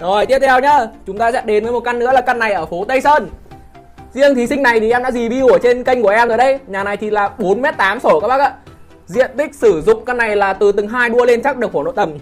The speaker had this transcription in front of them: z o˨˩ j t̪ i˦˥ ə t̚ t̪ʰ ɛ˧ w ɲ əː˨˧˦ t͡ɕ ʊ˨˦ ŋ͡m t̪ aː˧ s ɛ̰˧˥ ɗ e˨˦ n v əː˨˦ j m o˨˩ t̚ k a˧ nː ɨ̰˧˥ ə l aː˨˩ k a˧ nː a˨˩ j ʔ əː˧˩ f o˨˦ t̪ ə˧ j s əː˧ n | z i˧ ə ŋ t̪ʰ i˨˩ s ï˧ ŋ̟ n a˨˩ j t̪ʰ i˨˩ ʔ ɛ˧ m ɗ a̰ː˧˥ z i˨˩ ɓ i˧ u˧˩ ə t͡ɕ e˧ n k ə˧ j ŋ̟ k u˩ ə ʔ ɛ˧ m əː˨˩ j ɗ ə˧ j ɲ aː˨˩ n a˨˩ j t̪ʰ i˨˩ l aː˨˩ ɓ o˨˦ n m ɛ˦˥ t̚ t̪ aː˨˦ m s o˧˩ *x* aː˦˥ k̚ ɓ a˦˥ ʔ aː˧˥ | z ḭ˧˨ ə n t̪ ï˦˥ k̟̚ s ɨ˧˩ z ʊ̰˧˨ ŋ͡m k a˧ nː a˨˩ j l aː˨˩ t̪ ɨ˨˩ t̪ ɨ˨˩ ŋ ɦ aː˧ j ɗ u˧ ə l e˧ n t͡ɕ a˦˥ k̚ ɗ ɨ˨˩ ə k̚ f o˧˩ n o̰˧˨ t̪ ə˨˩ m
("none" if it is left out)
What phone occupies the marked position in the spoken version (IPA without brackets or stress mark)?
k